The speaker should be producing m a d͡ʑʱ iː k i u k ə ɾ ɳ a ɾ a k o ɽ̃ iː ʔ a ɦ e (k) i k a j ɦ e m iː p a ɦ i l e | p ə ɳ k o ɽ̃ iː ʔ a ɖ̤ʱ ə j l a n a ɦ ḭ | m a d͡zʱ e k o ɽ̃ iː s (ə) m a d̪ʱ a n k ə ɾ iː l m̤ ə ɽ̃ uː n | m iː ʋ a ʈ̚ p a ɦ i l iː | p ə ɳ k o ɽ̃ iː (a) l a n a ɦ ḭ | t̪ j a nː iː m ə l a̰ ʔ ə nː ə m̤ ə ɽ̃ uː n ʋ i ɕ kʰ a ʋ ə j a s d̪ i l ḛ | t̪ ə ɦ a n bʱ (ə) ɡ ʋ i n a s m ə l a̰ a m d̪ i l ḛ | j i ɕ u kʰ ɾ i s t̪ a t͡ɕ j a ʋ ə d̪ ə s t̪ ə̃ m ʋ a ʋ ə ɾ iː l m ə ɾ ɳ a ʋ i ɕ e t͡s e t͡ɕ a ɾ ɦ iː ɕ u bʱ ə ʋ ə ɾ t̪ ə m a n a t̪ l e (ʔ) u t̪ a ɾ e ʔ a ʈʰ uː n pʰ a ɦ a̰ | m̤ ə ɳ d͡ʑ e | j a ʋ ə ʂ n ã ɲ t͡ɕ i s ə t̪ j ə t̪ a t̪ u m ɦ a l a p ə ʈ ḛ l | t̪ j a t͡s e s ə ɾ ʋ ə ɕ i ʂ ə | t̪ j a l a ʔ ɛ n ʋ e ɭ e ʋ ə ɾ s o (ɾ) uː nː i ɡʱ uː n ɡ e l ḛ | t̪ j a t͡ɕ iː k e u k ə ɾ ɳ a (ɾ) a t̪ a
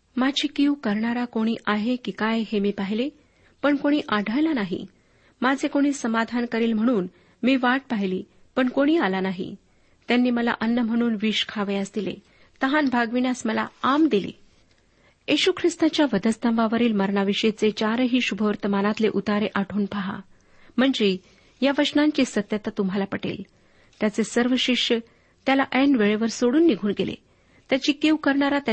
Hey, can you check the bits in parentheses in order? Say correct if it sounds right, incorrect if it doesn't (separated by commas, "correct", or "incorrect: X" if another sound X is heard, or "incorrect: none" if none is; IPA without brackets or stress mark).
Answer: correct, correct, correct, incorrect: a, correct, incorrect: ɽ, correct